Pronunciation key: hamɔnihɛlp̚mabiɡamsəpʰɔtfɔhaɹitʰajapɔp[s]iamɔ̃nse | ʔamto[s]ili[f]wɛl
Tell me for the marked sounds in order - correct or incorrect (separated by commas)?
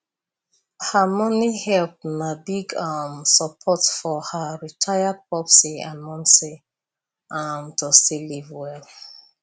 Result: correct, correct, incorrect